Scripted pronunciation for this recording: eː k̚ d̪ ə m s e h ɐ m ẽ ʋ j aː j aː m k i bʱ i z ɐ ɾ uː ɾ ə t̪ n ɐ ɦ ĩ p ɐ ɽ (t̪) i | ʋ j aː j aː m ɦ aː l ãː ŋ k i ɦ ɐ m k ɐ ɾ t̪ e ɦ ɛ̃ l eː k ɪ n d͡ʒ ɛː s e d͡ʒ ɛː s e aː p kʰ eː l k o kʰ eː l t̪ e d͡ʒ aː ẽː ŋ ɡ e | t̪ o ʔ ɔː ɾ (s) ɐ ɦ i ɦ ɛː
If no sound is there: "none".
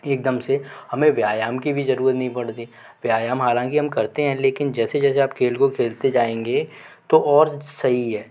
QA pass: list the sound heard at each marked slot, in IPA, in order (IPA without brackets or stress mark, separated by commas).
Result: t̪, s